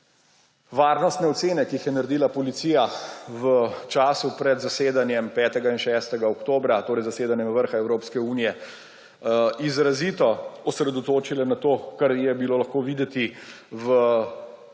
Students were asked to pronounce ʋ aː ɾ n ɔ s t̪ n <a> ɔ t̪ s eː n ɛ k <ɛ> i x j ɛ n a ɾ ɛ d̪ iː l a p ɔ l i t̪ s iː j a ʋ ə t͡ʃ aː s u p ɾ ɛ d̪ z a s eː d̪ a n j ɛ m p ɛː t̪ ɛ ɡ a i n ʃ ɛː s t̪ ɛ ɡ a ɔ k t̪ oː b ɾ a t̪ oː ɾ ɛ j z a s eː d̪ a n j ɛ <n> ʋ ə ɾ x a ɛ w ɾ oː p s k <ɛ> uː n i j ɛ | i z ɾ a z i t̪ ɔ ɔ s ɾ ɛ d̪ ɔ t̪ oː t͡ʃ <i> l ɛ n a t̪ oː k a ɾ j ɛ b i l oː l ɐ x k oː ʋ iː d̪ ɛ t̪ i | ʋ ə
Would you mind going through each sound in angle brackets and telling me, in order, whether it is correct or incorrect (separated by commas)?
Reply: incorrect, incorrect, incorrect, correct, correct